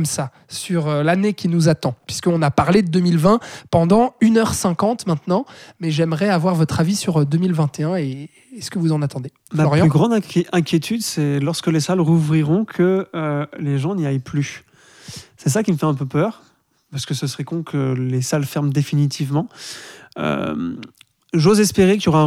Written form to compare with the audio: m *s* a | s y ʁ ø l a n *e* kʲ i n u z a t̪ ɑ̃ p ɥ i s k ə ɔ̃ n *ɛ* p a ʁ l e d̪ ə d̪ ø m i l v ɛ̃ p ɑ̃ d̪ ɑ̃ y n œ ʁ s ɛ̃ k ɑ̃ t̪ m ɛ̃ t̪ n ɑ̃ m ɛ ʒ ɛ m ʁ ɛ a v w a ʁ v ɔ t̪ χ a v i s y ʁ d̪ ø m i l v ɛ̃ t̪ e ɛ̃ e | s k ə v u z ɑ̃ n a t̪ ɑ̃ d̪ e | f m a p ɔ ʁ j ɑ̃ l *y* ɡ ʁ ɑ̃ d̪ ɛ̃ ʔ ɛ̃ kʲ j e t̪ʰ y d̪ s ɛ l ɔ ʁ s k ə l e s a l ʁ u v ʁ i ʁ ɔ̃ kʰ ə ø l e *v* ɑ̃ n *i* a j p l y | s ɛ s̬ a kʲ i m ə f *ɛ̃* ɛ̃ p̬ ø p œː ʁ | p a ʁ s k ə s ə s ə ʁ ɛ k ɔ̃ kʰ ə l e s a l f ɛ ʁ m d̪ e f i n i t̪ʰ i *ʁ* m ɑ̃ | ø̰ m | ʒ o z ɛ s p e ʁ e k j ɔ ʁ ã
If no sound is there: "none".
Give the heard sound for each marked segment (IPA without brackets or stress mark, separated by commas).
s, e, a, y, ʒ, i, ɛ, v